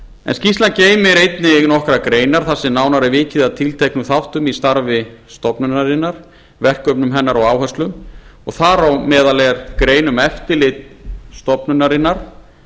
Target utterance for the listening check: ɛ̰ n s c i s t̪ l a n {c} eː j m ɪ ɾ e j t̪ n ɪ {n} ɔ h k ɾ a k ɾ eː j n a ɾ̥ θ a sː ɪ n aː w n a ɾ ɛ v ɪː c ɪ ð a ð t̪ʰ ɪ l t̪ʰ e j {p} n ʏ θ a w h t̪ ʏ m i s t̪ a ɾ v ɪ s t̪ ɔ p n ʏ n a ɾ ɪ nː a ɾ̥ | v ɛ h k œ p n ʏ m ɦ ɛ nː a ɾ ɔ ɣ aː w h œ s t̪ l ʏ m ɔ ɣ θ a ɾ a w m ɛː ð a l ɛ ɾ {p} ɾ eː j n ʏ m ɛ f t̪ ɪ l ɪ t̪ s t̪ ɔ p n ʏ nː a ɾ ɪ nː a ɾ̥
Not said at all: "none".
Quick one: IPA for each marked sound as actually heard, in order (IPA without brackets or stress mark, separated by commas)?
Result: c, n, k, k